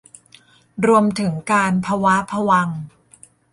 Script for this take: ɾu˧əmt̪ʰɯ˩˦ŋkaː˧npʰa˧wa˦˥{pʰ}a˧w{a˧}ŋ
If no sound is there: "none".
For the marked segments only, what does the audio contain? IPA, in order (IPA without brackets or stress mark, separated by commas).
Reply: pʰ, a˧